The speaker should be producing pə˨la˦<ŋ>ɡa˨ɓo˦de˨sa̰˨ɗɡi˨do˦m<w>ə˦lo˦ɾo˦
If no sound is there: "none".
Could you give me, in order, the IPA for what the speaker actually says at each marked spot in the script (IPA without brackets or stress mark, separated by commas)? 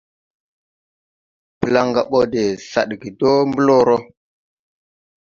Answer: ŋ, b